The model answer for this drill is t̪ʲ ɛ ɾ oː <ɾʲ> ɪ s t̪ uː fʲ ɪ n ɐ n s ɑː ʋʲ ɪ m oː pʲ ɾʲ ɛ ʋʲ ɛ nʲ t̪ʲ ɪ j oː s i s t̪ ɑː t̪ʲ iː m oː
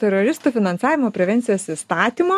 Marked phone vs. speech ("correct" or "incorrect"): correct